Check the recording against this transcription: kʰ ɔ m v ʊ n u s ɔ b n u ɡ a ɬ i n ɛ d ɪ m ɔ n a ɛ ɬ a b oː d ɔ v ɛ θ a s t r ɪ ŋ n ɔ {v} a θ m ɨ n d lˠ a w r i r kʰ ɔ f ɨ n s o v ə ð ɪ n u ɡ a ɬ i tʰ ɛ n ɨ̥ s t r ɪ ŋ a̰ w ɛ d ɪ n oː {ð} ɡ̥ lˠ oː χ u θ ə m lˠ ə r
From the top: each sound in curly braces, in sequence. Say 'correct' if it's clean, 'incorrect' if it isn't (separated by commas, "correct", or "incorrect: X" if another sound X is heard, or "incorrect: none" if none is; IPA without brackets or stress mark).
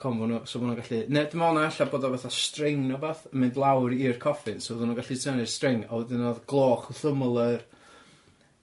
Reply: incorrect: b, correct